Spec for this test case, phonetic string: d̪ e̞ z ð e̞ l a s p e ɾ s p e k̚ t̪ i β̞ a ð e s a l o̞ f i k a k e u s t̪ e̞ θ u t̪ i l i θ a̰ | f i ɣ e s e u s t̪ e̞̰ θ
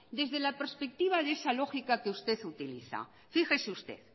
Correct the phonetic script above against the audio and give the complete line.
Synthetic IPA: d̪ e̞ z ð e̞ l a p e ɾ s p e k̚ t̪ i β̞ a ð e s a l o̞ x i k a k e u s t̪ e̞ θ u t̪ i l i θ a̰ | f i x e s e u s t̪ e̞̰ θ